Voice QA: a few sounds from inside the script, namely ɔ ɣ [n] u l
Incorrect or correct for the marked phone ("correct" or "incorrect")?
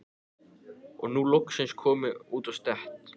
correct